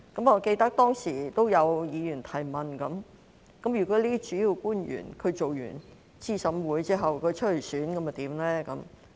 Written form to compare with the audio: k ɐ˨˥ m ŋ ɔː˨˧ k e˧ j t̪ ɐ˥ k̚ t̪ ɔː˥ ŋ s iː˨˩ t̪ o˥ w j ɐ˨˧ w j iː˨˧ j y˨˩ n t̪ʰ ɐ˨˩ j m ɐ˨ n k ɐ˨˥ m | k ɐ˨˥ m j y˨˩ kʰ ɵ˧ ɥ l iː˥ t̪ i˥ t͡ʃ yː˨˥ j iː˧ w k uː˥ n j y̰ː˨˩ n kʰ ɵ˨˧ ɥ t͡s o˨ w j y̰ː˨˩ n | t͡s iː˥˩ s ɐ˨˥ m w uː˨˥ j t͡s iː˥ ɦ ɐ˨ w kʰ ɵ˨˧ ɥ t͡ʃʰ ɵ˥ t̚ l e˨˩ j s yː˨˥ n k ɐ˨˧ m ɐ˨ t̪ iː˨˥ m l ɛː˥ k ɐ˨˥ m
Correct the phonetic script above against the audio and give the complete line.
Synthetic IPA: k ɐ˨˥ m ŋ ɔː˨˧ k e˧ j t̪ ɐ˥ k̚ t̪ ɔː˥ ŋ s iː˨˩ t̪ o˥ w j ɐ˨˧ w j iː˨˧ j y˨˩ n t̪ʰ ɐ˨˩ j m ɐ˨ n k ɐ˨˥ m | k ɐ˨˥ m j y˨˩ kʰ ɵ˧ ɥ l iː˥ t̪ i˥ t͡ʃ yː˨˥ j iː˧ w k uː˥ n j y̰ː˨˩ n kʰ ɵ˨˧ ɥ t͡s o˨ w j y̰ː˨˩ n | t͡s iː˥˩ s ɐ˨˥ m w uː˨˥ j t͡s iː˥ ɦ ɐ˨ w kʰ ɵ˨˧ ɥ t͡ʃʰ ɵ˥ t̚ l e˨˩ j s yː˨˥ n k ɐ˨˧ m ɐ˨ t̪ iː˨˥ m l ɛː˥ k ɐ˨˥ m

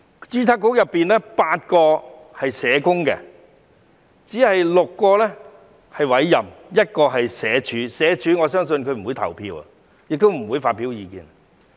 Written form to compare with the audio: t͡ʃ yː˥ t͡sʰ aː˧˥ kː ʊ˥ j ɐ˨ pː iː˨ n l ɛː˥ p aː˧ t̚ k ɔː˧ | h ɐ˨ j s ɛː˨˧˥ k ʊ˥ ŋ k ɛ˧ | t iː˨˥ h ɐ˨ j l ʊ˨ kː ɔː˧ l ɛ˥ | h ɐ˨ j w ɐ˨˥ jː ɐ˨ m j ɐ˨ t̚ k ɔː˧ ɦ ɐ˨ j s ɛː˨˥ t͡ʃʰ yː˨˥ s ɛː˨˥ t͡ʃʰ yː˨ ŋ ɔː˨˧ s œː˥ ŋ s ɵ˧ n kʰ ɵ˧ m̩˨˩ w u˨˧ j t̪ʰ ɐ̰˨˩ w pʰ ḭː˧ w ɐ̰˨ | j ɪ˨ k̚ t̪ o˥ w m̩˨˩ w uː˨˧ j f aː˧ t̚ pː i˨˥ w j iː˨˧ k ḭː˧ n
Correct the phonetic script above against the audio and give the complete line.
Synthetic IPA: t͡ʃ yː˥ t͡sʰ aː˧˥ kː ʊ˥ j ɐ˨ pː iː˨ n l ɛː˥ p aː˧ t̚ k ɔː˧ | h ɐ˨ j s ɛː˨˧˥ k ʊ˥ ŋ k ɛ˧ | t͡s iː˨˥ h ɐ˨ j l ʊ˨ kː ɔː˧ l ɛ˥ | h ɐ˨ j w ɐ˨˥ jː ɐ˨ m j ɐ˥ t̚ k ɔː˧ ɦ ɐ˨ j s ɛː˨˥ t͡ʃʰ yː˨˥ s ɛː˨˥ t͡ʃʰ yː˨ ŋ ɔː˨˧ s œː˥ ŋ s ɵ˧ n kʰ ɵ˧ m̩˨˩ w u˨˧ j t̪ʰ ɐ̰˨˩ w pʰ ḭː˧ w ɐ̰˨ | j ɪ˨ k̚ t̪ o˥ w m̩˨˩ w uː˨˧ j f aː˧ t̚ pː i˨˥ w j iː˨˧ k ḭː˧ n

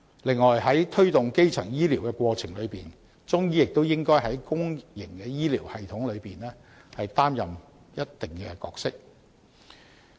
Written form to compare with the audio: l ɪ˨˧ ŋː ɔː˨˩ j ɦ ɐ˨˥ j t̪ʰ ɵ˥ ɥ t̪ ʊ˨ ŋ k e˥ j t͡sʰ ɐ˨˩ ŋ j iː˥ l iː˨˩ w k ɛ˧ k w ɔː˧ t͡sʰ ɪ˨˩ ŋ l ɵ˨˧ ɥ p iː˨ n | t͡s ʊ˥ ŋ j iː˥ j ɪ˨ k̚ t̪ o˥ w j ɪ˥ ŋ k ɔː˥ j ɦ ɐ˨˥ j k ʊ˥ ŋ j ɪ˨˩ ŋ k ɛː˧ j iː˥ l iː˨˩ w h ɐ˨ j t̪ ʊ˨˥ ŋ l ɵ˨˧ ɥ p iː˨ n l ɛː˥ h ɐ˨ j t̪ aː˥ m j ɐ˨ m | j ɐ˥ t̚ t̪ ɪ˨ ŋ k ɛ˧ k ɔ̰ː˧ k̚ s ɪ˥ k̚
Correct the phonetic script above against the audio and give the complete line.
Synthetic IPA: l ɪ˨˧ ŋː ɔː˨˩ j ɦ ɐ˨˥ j t̪ʰ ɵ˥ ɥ t̪ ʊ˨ ŋ k e˥ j t͡sʰ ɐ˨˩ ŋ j iː˥ l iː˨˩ w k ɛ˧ k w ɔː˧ t͡sʰ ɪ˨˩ ŋ l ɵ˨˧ ɥ p iː˨ n | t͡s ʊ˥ ŋ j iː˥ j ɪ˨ k̚ t̪ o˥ w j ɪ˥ ŋ k ɔː˥ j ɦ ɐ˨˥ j k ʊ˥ ŋ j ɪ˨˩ ŋ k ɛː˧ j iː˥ l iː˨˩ w h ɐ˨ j t̪ʰ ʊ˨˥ ŋ l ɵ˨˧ ɥ p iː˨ n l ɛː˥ h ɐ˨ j t̪ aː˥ m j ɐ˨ m | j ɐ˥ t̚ t̪ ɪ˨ ŋ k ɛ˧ k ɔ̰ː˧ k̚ s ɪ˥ k̚

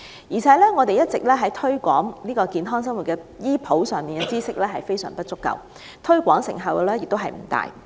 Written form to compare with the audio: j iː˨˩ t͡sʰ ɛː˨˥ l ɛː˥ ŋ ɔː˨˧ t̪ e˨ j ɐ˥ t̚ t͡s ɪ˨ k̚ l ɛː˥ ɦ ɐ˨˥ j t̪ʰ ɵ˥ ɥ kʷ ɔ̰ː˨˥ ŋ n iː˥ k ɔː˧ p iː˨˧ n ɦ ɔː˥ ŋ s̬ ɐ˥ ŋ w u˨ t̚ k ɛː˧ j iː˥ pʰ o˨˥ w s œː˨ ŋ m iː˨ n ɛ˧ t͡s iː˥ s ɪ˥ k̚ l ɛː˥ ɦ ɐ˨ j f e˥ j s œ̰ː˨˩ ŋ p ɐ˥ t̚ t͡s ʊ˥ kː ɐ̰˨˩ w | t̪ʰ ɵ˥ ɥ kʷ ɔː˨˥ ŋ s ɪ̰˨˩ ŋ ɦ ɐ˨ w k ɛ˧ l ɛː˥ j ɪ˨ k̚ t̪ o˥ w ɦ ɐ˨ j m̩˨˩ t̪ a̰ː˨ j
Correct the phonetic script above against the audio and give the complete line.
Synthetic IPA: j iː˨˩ t͡sʰ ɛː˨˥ l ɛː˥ ŋ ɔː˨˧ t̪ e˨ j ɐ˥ t̚ t͡s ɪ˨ k̚ l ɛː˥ ɦ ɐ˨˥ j t̪ʰ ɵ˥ ɥ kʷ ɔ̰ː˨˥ ŋ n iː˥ k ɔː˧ k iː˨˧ n ɦ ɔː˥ ŋ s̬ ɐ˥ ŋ w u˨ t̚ k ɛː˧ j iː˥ pʰ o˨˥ w s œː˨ ŋ m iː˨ n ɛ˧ t͡s iː˥ s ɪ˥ k̚ l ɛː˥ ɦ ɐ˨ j f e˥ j s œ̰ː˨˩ ŋ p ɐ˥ t̚ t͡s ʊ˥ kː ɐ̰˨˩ w | t̪ʰ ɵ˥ ɥ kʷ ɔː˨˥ ŋ s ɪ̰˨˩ ŋ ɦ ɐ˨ w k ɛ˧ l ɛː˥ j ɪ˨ k̚ t̪ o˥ w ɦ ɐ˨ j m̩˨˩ t̪ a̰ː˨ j

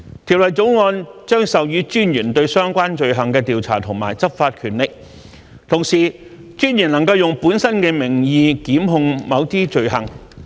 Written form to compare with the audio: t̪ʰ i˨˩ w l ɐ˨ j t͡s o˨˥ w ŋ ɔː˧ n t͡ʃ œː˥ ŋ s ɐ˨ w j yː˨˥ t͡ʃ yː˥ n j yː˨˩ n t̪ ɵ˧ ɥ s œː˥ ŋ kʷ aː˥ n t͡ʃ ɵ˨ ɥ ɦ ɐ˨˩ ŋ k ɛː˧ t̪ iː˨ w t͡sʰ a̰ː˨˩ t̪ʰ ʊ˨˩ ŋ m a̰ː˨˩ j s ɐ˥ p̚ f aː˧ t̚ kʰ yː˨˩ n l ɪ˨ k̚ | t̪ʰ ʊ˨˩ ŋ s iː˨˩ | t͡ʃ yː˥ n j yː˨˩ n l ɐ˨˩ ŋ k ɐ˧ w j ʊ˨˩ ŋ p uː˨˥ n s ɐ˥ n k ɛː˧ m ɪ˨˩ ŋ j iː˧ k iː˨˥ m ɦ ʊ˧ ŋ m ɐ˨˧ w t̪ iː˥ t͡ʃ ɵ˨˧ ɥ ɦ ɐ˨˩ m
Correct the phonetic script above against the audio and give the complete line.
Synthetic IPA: t̪ʰ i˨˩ w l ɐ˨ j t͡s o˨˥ w ŋ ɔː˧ n t͡ʃ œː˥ ŋ s ɐ˨ w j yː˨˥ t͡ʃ yː˥ n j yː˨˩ n t̪ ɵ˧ ɥ s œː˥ ŋ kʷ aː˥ n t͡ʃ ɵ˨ ɥ ɦ ɐ˨˩ ŋ k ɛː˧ t̪ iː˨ w t͡sʰ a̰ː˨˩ t̪ʰ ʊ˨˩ ŋ m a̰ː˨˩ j t͡s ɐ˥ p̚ f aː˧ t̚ kʰ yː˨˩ n l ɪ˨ k̚ | t̪ʰ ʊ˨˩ ŋ s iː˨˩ | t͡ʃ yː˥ n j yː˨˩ n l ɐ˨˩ ŋ k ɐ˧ w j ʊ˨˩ ŋ p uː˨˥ n s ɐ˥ n k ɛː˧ m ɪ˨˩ ŋ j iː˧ k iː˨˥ m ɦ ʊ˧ ŋ m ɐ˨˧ w t̪ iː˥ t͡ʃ ɵ˨˧ ɥ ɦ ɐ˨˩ ŋ

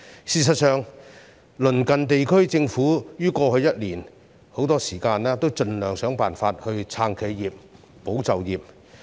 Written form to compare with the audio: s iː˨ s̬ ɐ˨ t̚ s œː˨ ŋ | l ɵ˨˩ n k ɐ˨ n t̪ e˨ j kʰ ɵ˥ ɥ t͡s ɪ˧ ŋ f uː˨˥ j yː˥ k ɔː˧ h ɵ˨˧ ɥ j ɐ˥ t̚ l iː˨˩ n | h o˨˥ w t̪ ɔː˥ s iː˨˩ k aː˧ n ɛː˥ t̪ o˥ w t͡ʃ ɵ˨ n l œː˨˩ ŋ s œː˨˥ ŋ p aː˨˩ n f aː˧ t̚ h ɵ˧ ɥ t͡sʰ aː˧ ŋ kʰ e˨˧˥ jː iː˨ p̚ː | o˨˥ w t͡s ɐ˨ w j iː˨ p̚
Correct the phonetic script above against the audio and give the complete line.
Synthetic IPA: s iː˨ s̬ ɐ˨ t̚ s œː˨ ŋ | l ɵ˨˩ n k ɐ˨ n t̪ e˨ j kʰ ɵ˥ ɥ t͡s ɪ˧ ŋ f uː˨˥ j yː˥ k ɔː˧ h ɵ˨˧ ɥ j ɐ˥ t̚ l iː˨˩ n | h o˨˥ w t̪ ɔː˥ s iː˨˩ k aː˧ n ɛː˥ t̪ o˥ w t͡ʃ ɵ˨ n l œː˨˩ ŋ s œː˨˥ ŋ p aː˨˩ n f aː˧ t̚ h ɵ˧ ɥ t͡sʰ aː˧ ŋ kʰ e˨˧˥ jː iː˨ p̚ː | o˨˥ w t͡s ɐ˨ w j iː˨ p̚

